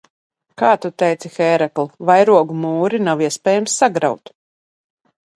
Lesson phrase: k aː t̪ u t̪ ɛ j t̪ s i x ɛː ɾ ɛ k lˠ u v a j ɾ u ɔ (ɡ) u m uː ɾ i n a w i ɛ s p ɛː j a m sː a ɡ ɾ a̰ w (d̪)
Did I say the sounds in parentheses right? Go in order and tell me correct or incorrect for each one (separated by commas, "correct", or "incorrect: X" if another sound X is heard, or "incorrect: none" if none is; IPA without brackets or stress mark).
correct, incorrect: t̪